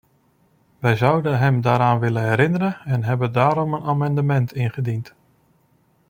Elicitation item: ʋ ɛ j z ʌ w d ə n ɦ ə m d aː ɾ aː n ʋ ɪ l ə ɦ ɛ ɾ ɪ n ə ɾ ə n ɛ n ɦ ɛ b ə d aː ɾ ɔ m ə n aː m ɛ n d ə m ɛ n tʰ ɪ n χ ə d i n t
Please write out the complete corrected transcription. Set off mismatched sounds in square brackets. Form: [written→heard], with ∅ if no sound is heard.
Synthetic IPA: ʋ ɛ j z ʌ w d ə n ɦ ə m d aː ɾ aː n ʋ ɪ l ə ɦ ɛ ɾ ɪ n ə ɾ ə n ɛ n ɦ ɛ b ə d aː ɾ ɔ m ə n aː m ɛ n d ə m ɛ n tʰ ɪ n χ ə d i n t